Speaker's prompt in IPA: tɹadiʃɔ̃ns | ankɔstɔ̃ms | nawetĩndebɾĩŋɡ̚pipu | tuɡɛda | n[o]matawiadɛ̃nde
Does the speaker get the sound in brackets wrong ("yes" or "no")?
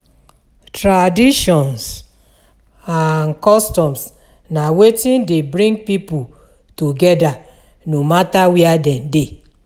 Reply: no